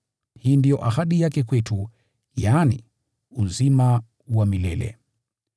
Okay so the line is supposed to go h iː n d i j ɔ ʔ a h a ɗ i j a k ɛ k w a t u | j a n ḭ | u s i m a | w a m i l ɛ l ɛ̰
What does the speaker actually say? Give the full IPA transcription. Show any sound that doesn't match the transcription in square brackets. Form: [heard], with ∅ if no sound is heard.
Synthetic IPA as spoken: h iː n d i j ɔ ʔ a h a ɗ i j a k ɛ k w [ɛ] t u | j a n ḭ | u [z] i m a | w a m i l ɛ l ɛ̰